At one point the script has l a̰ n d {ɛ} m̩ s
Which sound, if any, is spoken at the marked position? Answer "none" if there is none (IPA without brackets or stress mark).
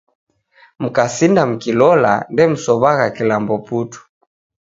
ɛ